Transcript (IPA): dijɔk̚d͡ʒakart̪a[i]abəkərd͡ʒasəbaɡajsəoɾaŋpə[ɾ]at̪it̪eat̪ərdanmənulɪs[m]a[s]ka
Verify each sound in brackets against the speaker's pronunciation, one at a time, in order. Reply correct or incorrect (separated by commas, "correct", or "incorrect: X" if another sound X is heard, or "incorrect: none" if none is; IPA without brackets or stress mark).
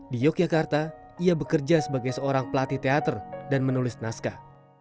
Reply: correct, incorrect: l, incorrect: n, correct